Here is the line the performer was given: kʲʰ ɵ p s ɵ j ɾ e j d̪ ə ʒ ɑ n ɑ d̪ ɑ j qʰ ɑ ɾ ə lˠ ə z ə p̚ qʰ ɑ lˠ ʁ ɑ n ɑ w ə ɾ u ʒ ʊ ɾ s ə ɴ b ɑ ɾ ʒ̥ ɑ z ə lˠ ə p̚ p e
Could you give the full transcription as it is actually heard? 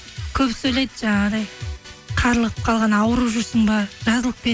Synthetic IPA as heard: kʲʰ ɵ p s ɵ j l e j d̪ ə ʒ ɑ ɴ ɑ d̪ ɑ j qʰ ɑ ɾ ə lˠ ə ʁ ə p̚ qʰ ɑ lˠ ʁ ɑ n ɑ w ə ɾ u ʒ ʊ ɾ s ə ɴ b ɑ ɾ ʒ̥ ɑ z ə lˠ ə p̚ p e